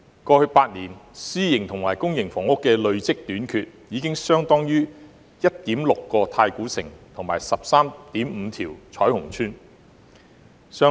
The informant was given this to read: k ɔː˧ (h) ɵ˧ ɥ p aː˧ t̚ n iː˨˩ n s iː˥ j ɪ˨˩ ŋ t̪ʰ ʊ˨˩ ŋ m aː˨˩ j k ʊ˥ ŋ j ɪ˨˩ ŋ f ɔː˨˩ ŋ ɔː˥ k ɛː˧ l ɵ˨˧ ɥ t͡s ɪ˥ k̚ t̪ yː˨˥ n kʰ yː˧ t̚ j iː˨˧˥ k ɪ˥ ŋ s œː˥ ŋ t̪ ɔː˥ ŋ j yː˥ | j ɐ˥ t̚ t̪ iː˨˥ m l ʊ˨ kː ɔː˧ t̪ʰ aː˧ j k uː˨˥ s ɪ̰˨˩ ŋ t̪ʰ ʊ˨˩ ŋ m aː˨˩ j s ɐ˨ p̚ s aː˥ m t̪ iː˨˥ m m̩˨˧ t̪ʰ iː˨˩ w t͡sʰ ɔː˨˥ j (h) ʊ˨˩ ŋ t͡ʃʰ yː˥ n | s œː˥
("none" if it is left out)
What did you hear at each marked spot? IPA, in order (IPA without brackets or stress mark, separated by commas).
h, h